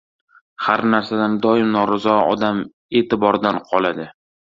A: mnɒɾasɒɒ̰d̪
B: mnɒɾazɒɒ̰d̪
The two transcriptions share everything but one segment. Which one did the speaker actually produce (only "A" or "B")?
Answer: B